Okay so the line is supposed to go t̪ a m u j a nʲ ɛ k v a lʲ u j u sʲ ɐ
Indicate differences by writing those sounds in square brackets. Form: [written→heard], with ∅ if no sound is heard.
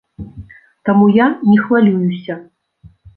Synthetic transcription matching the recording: t̪ a m u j a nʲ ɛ [k→x] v a lʲ u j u sʲ ɐ